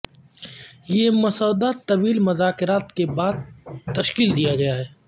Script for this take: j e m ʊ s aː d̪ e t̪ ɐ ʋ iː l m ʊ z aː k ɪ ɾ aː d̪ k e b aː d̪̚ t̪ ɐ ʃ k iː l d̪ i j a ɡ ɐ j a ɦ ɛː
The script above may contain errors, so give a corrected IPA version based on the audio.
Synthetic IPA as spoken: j e m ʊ s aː d̪ a t̪ ɐ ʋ iː l m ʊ z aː k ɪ ɾ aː t̪ k e b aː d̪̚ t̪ ɐ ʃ k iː l d̪ i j a ɡ ɐ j a ɦ ɛː